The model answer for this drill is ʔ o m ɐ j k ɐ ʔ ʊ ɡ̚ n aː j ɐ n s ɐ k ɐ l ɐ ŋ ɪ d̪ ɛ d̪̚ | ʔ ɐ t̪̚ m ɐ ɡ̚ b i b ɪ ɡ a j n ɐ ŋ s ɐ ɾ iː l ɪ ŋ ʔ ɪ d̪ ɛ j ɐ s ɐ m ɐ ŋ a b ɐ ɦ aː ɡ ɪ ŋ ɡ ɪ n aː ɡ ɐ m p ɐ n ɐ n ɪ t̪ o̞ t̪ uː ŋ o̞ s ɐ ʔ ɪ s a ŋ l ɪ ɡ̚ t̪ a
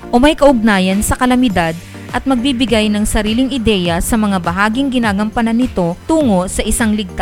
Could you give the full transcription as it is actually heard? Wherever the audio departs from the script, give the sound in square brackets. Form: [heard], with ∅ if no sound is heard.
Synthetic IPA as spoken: ʔ o m ɐ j k ɐ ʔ ʊ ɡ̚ n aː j ɐ n s ɐ k ɐ l ɐ [m] ɪ d̪ [a] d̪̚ | ʔ ɐ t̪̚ m ɐ ɡ̚ b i b ɪ ɡ a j n ɐ ŋ s ɐ ɾ iː l ɪ ŋ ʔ ɪ d̪ ɛ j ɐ s ɐ m ɐ ŋ a b ɐ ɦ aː ɡ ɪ ŋ ɡ ɪ n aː ɡ ɐ m p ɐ n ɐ n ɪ t̪ o̞ t̪ uː ŋ o̞ s ɐ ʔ ɪ s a ŋ l ɪ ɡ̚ t̪ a